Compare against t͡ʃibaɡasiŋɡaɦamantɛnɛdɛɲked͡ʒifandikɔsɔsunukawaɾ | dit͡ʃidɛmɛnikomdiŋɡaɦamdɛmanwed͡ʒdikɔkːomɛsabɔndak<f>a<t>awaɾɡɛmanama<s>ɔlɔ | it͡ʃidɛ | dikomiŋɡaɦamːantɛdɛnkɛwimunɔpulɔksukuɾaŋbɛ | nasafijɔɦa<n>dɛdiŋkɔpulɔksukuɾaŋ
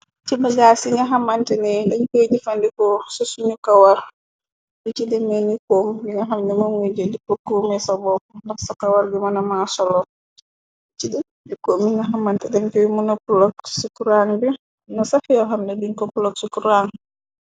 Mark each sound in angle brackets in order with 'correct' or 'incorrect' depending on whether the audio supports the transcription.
incorrect, incorrect, correct, incorrect

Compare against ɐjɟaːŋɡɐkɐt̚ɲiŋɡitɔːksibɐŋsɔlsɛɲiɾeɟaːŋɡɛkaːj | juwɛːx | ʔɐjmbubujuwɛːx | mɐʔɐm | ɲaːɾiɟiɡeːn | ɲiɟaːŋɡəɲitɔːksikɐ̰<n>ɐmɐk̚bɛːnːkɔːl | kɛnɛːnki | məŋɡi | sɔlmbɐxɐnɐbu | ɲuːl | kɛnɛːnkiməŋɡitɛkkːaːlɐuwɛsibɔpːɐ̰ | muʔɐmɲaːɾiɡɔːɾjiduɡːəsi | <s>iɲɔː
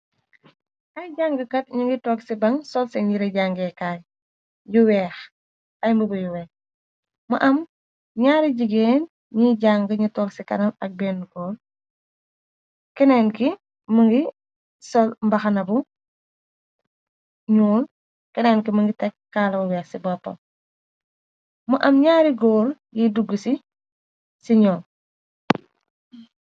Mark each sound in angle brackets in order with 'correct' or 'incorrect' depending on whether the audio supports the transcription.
correct, correct

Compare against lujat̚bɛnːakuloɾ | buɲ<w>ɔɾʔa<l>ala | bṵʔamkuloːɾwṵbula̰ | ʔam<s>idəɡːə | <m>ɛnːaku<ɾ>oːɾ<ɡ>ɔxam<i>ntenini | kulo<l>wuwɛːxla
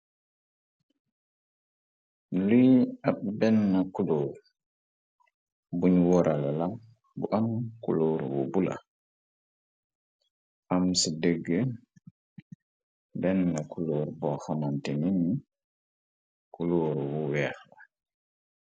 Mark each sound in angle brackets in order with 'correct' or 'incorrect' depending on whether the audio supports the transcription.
correct, correct, correct, incorrect, incorrect, incorrect, incorrect, incorrect

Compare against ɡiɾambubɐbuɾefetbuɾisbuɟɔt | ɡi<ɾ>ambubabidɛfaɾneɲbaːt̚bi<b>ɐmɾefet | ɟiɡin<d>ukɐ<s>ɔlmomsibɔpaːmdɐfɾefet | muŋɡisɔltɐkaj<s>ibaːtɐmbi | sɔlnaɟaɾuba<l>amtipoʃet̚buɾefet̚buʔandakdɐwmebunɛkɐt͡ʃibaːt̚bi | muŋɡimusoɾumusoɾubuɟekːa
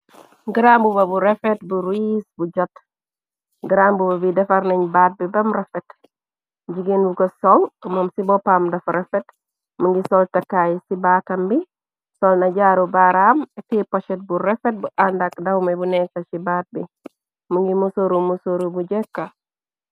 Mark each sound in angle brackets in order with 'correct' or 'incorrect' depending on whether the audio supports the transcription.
correct, correct, incorrect, correct, correct, incorrect

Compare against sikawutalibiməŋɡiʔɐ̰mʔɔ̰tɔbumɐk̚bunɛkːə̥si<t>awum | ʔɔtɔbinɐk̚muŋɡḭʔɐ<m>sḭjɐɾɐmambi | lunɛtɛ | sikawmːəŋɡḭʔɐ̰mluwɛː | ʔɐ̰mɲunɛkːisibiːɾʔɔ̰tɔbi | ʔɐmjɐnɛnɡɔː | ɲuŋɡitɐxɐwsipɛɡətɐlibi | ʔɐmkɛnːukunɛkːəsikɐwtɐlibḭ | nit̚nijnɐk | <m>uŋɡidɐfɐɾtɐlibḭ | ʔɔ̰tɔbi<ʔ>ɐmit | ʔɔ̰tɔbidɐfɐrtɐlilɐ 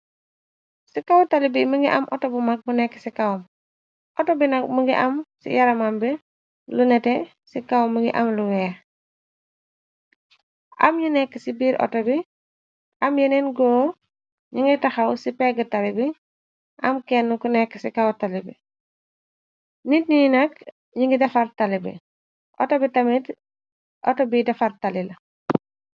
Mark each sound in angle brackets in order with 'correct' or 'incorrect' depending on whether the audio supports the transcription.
incorrect, correct, incorrect, incorrect

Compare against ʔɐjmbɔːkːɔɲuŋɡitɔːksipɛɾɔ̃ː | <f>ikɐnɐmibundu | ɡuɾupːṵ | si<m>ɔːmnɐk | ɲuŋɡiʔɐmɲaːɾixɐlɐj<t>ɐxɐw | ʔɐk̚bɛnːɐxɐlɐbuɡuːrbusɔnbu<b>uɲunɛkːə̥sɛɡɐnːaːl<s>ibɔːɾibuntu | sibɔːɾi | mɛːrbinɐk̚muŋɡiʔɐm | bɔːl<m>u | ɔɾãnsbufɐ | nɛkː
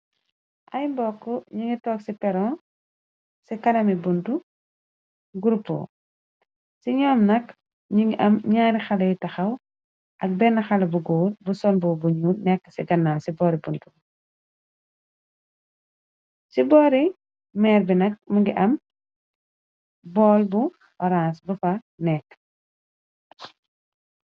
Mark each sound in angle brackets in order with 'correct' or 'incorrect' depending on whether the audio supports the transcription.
incorrect, incorrect, correct, correct, correct, incorrect

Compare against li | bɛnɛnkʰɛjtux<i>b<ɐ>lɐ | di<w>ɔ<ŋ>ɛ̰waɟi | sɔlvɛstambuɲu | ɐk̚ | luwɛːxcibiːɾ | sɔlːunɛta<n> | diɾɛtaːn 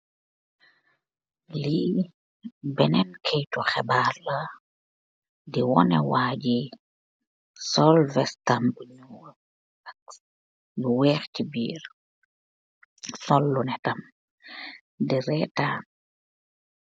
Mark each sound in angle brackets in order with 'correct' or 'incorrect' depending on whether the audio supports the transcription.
incorrect, incorrect, correct, incorrect, incorrect

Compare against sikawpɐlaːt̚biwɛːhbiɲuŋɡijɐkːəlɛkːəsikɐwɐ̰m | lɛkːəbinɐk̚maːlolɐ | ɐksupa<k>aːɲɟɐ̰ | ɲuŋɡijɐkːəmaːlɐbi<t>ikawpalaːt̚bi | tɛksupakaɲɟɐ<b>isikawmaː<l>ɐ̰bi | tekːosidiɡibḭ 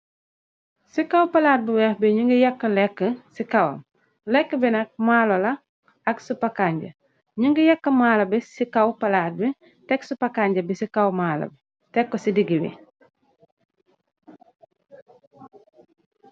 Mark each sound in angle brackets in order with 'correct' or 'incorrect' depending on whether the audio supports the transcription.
correct, incorrect, correct, correct

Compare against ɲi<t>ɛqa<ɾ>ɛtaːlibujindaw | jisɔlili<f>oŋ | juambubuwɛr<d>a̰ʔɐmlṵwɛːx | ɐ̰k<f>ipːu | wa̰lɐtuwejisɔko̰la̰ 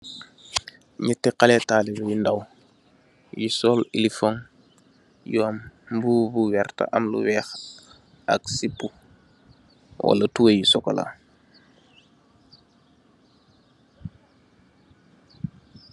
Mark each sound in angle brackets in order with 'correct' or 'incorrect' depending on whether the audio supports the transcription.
correct, incorrect, correct, incorrect, incorrect

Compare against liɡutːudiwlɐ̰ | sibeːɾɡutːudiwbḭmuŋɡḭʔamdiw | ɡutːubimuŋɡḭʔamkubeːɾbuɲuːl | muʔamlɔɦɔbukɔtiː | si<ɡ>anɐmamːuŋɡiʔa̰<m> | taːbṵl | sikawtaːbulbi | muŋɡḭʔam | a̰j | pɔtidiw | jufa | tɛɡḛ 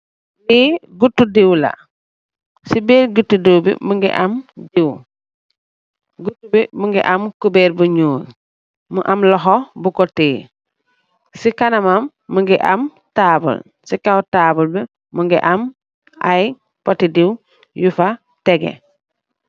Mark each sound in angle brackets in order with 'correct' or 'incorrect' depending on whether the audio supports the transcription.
incorrect, correct

